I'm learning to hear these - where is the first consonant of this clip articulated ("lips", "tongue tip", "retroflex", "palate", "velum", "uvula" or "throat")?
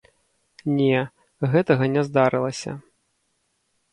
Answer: tongue tip